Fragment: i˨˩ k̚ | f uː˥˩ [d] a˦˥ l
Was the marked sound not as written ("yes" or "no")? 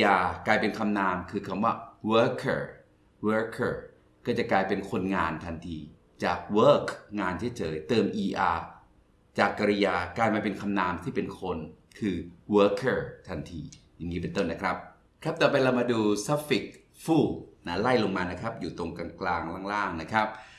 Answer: yes